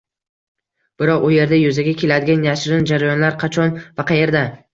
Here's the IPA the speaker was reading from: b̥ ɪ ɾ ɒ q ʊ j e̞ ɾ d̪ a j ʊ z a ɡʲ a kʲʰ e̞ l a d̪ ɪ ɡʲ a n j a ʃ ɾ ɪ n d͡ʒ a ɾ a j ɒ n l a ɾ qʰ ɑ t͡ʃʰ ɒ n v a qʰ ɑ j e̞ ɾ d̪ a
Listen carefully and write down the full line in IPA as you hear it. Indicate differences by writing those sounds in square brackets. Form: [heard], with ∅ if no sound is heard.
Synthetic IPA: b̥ ɪ ɾ ɒ q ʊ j e̞ ɾ d̪ a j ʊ z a ɡʲ a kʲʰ e̞ l a d̪ ɪ ɡʲ a n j a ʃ ɾ ɪ n d͡ʒ a ɾ a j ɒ n l a ɾ qʰ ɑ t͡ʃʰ ɒ n v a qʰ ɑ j e̞ ɾ d̪ a